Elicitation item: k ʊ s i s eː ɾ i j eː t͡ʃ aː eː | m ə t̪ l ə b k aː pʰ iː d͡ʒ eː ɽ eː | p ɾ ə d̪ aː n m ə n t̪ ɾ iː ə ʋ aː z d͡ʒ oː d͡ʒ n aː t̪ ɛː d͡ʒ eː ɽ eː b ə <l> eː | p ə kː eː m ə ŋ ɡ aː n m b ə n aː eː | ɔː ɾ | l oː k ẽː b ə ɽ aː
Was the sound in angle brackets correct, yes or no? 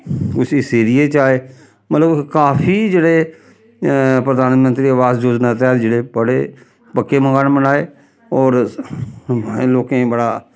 no